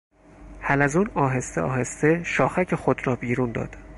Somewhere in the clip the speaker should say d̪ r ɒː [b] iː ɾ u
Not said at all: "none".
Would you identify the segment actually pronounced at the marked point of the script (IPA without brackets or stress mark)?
b